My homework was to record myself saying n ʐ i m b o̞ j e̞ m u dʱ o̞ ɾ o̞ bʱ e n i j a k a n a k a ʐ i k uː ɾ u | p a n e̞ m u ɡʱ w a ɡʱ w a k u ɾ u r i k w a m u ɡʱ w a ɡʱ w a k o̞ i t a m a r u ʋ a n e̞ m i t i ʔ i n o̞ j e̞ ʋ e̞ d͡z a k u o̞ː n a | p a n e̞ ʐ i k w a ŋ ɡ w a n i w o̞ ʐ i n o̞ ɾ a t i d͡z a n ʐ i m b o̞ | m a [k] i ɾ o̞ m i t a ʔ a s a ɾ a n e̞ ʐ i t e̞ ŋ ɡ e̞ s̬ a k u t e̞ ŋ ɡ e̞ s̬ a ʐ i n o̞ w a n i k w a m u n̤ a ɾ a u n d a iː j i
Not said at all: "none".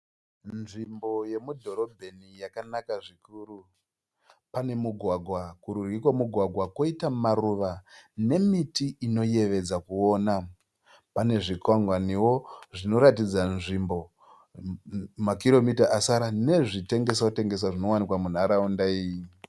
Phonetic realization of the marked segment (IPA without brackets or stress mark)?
k